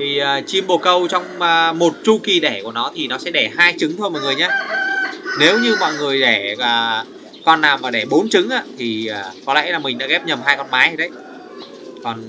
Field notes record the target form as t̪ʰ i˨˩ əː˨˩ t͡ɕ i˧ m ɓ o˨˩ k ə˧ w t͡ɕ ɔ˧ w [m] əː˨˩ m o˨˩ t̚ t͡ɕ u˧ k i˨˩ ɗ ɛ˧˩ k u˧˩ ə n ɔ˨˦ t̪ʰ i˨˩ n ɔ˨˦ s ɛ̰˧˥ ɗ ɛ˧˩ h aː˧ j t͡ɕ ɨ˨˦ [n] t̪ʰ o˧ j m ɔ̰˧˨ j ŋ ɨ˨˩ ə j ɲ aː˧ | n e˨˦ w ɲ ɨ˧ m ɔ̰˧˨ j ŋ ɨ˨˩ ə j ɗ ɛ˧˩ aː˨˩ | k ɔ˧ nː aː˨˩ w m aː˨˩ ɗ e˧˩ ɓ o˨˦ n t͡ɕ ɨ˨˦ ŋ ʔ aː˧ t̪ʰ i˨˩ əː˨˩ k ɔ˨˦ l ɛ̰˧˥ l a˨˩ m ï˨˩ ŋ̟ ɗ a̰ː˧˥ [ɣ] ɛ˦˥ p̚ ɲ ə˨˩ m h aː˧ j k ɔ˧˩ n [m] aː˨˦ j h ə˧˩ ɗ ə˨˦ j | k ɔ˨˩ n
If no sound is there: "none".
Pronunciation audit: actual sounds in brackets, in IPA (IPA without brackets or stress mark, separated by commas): ŋ͡m, ŋ, ɣ, m